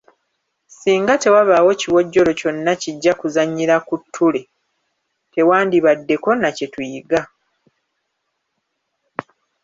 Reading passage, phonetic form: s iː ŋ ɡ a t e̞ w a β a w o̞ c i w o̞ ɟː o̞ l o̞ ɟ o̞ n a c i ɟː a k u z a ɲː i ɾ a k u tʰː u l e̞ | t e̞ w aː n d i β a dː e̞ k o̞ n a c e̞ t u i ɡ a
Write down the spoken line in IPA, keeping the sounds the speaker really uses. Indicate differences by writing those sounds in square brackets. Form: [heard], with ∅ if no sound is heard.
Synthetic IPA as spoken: s iː ŋ ɡ a t e̞ w a β a w o̞ c i w o̞ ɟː o̞ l o̞ [c] o̞ [nː] a c i ɟː a k u z a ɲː i ɾ a k u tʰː u l e̞ | t e̞ w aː n d i β a dː e̞ k o̞ n a c e̞ t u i ɡ a